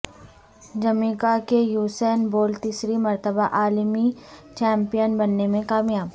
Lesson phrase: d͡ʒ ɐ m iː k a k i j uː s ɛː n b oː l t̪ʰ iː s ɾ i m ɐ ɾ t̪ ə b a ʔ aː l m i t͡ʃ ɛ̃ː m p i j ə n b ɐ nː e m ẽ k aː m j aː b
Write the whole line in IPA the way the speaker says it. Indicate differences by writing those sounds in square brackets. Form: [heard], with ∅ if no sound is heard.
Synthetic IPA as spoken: d͡ʒ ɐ m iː k a k [e] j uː s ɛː n b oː l [t̪] iː s ɾ i m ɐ ɾ t̪ ə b a ʔ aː l m i t͡ʃ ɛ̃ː m p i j ə n b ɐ nː e m ẽ k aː m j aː b